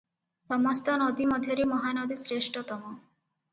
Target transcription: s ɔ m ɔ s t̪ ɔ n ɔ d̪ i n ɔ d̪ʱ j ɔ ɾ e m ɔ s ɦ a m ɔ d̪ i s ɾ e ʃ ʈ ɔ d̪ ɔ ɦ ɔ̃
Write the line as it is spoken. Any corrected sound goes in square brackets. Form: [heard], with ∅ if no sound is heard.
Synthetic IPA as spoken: s ɔ m ɔ s t̪ ɔ n ɔ d̪ i [m] ɔ d̪ʱ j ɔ ɾ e m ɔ [∅] ɦ a [n] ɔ d̪ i s ɾ e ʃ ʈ ɔ [t̪] ɔ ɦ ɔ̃